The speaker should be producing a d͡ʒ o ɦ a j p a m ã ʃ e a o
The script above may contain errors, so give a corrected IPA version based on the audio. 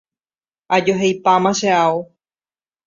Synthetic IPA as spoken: a d͡ʒ o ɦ e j p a m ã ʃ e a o

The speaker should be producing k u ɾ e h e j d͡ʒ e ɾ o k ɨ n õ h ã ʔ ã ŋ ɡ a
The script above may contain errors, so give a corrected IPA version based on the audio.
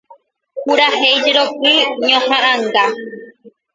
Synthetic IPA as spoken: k u ɾ a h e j d͡ʒ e ɾ o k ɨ ɲ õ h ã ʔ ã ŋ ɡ a

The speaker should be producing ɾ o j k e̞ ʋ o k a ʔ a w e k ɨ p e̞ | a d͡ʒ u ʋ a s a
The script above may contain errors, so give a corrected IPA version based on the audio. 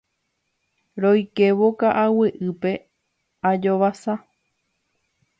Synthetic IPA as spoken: ɾ o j k e̞ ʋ o k a ʔ a w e ʔ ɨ p e̞ | a d͡ʒ o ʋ a s a

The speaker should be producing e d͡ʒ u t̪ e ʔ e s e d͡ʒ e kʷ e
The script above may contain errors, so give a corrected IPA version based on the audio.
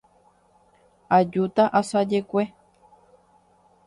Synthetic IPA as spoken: a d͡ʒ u t̪ a ʔ a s a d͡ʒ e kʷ e

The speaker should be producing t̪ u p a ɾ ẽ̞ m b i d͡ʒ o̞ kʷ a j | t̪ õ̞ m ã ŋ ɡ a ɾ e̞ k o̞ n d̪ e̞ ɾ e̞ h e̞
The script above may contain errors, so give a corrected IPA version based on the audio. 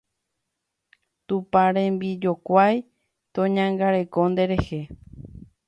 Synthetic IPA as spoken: t̪ u p a ɾ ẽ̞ m b i d͡ʒ o̞ kʷ a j | t̪ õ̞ ɲ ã ŋ ɡ a ɾ e̞ k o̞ n d̪ e̞ ɾ e̞ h e̞

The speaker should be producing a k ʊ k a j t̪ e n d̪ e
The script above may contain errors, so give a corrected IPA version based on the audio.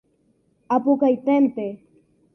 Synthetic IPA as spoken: a p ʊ k a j t̪ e n t̪ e

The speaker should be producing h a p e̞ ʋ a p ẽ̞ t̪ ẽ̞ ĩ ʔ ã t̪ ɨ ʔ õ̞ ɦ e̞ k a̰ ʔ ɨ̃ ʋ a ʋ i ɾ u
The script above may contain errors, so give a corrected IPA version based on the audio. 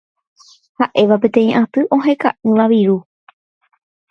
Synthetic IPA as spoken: h a ʔ e̞ ʋ a p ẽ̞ t̪ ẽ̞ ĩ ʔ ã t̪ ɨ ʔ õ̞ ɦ e̞ k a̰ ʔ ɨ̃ ʋ a ʋ i ɾ u

